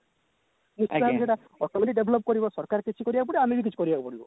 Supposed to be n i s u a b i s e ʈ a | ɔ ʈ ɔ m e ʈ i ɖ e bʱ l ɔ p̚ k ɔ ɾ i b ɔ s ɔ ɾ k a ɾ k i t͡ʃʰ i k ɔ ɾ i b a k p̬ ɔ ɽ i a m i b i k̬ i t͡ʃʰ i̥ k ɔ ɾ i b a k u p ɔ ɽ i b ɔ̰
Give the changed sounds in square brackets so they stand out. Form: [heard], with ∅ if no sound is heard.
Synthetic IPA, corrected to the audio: n i s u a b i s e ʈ a | ɔ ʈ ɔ m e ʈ i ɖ e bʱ l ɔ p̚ k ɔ ɾ i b ɔ s ɔ ɾ k a ɾ k i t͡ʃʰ i k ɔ ɾ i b a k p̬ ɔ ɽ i a m i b i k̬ i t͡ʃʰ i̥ k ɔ ɾ i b a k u p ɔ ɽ i b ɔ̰